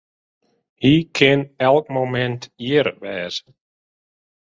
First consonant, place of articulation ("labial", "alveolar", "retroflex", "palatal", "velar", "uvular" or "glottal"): glottal